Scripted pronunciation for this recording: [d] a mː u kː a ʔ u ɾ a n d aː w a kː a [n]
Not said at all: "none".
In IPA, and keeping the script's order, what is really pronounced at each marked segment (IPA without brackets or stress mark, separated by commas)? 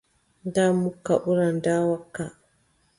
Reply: d, none